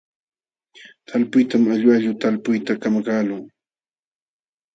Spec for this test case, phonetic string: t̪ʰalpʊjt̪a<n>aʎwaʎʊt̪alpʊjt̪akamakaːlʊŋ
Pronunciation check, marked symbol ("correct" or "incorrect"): incorrect